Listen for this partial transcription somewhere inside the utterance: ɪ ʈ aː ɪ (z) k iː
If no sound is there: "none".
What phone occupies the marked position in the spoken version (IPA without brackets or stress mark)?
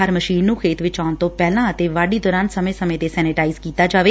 z